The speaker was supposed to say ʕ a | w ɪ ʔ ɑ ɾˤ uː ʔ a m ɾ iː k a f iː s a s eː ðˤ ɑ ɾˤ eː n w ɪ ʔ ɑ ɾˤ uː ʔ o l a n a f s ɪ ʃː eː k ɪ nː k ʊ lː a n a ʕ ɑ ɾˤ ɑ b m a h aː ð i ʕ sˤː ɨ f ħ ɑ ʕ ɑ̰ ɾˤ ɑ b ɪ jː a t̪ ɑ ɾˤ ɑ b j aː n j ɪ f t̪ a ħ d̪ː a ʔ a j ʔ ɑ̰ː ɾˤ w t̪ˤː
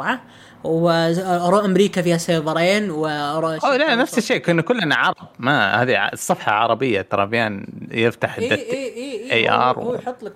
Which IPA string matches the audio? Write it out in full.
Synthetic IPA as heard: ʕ a | w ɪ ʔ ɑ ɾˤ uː ʔ a m ɾ iː k a f iː h a s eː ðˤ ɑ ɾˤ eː n w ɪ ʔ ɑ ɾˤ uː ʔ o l a n a f s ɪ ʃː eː k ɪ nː k ʊ lː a n a ʕ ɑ ɾˤ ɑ b m a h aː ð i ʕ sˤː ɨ f ħ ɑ ʕ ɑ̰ ɾˤ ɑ b ɪ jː a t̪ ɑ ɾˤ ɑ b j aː n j ɪ f t̪ a ħ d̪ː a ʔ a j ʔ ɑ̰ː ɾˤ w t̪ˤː